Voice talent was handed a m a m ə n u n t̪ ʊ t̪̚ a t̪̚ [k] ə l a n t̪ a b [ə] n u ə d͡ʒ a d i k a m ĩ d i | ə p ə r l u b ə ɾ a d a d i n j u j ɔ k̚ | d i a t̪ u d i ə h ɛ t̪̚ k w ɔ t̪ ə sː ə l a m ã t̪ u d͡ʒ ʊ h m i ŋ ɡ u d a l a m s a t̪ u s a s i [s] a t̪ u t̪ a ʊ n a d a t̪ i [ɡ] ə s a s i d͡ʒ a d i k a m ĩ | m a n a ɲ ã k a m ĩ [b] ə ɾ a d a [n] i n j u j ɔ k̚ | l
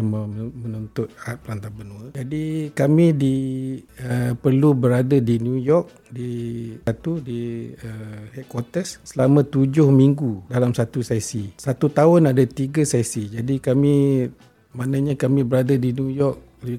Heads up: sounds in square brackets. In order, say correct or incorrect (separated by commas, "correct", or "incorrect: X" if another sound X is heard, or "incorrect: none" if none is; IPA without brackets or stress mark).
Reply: incorrect: p, correct, correct, correct, correct, incorrect: d